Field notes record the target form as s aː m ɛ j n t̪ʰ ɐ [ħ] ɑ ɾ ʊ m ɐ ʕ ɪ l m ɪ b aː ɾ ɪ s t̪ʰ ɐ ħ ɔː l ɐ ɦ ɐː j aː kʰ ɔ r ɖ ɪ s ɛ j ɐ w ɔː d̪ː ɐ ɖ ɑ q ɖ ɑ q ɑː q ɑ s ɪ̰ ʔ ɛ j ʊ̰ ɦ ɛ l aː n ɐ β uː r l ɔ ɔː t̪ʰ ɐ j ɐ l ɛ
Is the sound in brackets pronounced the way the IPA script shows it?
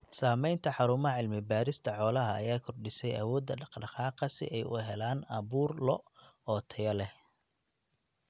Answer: yes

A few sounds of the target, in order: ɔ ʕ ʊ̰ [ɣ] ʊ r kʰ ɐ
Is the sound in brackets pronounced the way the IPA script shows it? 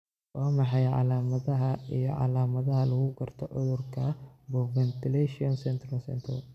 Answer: no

